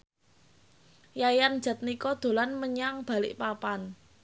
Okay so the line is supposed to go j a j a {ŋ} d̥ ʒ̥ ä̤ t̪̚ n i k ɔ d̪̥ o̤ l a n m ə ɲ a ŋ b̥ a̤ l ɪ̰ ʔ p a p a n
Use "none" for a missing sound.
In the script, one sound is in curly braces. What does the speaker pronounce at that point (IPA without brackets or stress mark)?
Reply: n